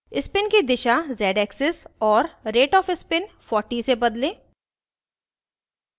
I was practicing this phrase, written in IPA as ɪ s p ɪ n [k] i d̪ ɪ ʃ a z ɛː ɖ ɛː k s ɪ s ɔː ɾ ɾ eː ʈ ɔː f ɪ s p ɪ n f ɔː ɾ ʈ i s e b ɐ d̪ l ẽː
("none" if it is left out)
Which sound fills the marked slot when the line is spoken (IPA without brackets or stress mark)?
k